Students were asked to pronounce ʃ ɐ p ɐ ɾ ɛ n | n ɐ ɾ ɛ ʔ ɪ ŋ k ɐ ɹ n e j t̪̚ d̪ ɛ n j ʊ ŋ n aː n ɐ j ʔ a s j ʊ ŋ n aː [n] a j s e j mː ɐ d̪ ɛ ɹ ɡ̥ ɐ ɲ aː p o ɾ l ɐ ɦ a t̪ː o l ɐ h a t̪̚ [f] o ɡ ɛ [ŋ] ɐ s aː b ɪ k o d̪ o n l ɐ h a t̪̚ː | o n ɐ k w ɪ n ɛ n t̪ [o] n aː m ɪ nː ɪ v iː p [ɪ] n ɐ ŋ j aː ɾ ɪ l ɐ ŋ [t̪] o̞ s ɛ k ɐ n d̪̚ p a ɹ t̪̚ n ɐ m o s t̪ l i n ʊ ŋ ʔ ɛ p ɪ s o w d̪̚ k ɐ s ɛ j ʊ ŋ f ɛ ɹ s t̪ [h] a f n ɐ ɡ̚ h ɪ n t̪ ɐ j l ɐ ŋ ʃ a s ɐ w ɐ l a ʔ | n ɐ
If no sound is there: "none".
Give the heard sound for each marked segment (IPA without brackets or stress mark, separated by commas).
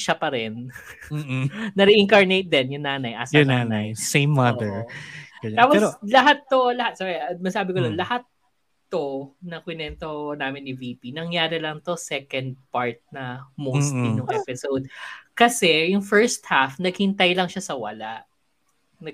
n, s, m, o, i, t̪, h